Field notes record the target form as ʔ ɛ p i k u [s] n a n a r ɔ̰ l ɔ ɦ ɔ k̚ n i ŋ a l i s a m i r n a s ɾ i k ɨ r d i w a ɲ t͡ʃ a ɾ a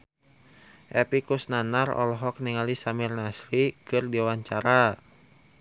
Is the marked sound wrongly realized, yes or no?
no